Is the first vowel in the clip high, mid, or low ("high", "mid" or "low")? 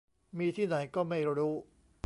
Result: high